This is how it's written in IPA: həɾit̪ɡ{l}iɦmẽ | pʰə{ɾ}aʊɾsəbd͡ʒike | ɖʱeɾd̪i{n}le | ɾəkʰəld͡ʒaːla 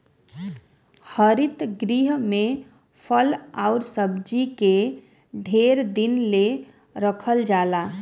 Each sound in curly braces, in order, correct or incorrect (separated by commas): incorrect, incorrect, correct